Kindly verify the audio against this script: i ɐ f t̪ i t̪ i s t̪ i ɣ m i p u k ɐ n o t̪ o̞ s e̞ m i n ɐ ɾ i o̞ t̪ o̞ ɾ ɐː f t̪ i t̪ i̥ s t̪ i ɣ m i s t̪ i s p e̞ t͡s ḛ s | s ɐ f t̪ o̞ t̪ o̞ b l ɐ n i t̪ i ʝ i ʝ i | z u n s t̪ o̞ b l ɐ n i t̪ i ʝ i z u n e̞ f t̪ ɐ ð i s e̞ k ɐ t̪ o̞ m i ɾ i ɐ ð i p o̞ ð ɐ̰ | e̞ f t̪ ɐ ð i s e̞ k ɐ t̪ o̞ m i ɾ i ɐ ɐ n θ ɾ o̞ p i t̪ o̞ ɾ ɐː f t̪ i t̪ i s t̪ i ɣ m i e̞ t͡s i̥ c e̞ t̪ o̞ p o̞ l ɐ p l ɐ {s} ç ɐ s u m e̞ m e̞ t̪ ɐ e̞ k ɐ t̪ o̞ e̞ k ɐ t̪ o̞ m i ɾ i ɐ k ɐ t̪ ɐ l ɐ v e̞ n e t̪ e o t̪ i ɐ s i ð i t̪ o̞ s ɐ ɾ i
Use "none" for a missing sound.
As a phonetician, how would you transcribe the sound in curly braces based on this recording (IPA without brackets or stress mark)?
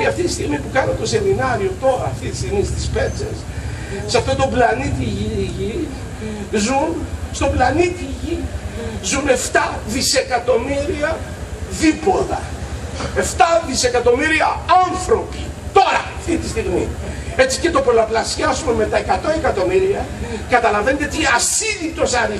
s